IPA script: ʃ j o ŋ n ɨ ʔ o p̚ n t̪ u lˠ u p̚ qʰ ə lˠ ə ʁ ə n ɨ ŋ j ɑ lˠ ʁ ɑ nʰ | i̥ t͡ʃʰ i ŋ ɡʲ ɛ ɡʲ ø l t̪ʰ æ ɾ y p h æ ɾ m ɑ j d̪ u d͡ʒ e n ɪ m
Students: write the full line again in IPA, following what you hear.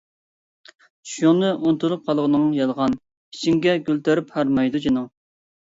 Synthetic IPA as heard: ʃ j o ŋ n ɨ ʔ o n t̪ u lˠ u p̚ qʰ ɑ lˠ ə ʁ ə n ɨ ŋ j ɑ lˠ ʁ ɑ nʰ | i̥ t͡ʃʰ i ŋ ɡʲ ɛ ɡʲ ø l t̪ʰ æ ɾ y p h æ ɾ m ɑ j d̪ u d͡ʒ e n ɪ ŋ